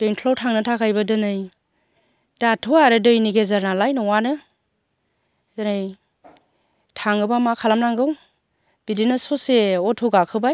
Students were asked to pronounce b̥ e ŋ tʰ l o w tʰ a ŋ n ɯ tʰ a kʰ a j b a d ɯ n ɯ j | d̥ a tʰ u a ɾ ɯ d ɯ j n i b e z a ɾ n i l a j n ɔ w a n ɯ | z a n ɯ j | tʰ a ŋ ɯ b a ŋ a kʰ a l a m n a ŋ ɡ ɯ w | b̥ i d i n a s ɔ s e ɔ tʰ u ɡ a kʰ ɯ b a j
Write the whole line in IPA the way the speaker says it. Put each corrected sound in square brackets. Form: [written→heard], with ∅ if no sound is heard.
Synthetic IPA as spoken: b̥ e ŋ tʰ l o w tʰ a ŋ n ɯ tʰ a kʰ a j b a d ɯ n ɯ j | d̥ a tʰ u a ɾ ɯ d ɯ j n i [b→ɡ] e z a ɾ n [i→a] l a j n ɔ w a n ɯ | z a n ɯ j | tʰ a ŋ ɯ b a [ŋ→m] a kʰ a l a m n a ŋ ɡ ɯ w | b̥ i d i n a s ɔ s e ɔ tʰ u ɡ a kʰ ɯ b a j